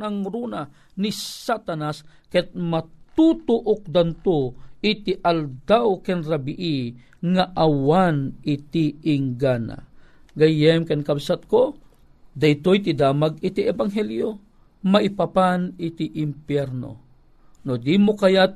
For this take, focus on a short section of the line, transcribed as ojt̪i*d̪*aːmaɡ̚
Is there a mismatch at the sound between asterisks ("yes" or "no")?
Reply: no